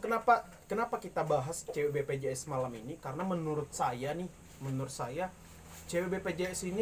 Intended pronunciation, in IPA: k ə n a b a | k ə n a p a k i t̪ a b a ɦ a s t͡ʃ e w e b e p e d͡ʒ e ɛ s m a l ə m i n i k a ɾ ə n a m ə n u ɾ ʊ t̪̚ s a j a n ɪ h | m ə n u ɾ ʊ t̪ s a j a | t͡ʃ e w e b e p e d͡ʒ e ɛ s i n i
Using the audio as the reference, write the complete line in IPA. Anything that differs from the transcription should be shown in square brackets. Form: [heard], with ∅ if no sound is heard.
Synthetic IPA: k ə n a [p] a | k ə n a p a k i t̪ a b a ɦ a s t͡ʃ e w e b e p e d͡ʒ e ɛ s m a l [a] m i n i k a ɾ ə n a m ə n u ɾ ʊ t̪̚ s a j a n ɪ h | m ə n u ɾ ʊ t̪ s a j a | t͡ʃ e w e b e p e d͡ʒ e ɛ s i n i